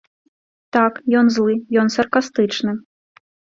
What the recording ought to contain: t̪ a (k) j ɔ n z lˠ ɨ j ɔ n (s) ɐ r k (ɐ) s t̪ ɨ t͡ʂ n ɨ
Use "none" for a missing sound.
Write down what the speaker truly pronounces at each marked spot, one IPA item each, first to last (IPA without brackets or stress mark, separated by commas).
k, s, a